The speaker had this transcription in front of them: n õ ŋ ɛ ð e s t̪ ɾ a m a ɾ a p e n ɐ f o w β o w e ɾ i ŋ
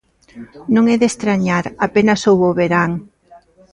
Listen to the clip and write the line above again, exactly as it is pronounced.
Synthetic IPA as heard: n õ ŋ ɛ ð e s t̪ ɾ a ɲ a ɾ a p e n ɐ s o w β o β e ɾ a ŋ